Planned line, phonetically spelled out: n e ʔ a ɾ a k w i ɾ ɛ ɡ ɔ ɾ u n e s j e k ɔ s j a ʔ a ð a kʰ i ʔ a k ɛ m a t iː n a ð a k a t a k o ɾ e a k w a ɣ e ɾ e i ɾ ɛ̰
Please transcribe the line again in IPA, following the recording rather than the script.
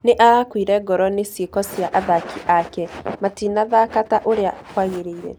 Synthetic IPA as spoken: n e ʔ a ɾ a k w i ɾ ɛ ɡ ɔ ɾ ɔ n e s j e k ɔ s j a ʔ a ð a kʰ i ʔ a k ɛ m a t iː n a ð a k a t a ʔ o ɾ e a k w a ɣ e ɾ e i ɾ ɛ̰